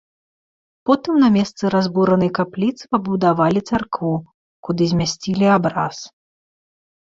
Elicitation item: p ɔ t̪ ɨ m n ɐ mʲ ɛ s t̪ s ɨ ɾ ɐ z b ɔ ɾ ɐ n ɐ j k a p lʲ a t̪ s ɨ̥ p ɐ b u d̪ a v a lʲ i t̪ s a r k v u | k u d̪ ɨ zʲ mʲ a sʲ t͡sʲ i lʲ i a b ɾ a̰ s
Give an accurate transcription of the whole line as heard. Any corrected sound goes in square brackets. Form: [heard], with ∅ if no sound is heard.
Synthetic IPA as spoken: p ɔ t̪ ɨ m n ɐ mʲ ɛ s t̪ s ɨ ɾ [a] z b [u] ɾ ɐ n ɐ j k a p lʲ [i] t̪ s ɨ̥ p ɐ b u d̪ a v a lʲ i t̪ s a r k v u | k u d̪ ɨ zʲ mʲ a sʲ t͡sʲ i lʲ i a b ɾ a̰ s